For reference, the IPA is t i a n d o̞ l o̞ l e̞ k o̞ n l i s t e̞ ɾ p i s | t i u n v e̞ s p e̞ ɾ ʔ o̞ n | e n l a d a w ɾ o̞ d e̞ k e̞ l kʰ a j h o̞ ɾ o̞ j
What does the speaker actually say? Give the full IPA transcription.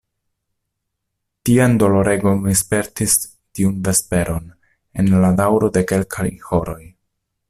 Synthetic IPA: t i a n d o̞ l o̞ ɾ e̞ ɡ o̞ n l i s p e̞ ɾ t i s | t i u n v e̞ s p e̞ ɾ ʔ o̞ n | e n l a d a w ɾ o̞ d e̞ k e̞ l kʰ a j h o̞ ɾ o̞ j